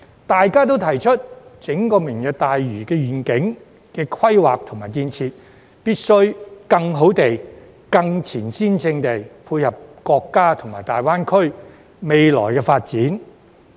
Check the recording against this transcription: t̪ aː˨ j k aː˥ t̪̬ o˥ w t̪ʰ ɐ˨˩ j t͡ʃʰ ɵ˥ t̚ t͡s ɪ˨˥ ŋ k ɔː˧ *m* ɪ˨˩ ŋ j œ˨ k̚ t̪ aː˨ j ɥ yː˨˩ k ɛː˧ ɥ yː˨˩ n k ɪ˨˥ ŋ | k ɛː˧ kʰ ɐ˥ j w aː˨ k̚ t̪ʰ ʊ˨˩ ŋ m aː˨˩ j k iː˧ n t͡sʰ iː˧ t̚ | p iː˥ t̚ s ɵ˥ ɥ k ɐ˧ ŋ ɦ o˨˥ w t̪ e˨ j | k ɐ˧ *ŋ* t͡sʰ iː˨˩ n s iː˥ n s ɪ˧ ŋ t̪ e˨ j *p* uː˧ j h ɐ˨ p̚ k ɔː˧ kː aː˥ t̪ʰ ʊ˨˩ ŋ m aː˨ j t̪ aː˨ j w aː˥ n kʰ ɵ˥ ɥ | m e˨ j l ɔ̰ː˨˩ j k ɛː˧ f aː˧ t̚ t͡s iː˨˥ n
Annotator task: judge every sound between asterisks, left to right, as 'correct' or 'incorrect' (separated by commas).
correct, correct, incorrect